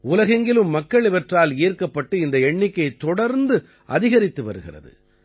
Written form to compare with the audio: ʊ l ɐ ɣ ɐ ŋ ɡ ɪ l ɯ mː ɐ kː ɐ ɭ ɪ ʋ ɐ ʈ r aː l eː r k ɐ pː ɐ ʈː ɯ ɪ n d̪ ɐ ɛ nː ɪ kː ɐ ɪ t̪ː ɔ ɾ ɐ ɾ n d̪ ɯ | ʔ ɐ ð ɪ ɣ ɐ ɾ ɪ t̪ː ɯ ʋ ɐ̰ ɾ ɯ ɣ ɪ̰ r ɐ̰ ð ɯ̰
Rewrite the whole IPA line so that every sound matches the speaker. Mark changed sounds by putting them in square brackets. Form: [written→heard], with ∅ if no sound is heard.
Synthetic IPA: ʊ l ɐ ɣ ɐ ŋ ɡ ɪ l ɯ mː ɐ kː ɐ ɭ ɪ ʋ ɐ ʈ r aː l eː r k ɐ pː ɐ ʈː ɯ ɪ n d̪ ɐ ɛ [nː→ɳː] ɪ kː ɐ ɪ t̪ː ɔ [ɾ→ɽ] ɐ ɾ n d̪ ɯ | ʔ ɐ ð ɪ ɣ ɐ ɾ ɪ t̪ː ɯ ʋ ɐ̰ ɾ ɯ ɣ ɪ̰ r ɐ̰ ð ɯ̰